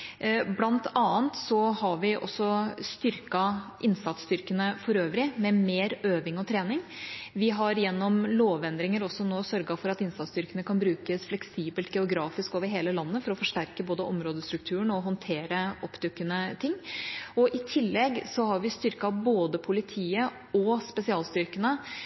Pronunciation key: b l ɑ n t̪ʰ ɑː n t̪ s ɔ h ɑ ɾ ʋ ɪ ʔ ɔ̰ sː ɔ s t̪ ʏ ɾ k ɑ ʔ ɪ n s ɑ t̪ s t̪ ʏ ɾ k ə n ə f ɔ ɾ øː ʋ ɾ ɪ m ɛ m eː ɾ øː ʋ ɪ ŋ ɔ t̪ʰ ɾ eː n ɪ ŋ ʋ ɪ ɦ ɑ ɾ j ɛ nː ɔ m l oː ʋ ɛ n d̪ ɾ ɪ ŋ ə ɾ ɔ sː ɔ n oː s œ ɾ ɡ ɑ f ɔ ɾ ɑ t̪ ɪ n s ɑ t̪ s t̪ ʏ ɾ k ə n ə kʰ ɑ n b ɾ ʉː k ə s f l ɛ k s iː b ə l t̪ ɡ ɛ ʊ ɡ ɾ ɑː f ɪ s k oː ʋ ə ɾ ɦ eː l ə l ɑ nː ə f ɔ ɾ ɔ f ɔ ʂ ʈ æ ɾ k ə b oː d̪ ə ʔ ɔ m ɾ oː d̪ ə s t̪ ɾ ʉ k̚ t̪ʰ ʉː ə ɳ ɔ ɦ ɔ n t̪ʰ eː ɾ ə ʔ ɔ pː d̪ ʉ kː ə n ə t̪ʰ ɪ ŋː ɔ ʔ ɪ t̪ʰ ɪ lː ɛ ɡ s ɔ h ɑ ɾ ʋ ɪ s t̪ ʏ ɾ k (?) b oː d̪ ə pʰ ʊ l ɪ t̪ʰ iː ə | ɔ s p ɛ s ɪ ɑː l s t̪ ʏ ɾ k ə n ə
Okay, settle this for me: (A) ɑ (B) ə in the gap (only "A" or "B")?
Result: A